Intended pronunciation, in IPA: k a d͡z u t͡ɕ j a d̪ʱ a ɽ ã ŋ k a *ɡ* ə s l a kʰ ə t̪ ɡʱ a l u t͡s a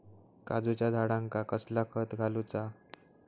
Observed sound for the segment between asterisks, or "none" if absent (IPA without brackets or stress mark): k